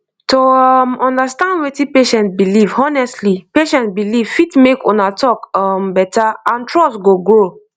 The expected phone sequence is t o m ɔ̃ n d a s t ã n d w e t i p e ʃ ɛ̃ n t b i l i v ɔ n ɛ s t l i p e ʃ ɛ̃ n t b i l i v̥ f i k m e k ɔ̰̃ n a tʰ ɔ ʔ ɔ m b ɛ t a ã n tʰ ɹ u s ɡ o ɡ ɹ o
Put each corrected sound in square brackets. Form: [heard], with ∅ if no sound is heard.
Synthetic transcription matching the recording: t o m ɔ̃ n d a s t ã n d w e t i p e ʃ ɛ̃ n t b i l i v ɔ n ɛ s t l i p e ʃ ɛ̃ n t b i l i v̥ f i [t] m e k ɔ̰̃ n a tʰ ɔ [k] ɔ m b ɛ t a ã n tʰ ɹ [ɔ] s ɡ o ɡ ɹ o